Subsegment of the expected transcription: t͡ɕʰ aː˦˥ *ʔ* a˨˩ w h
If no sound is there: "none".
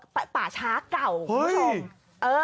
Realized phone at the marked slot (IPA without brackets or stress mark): k